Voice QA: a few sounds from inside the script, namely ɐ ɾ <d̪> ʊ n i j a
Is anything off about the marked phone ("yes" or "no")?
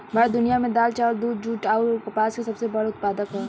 no